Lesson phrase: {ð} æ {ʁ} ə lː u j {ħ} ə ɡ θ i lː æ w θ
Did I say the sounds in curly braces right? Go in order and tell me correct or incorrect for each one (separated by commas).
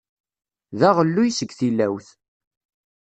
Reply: correct, correct, incorrect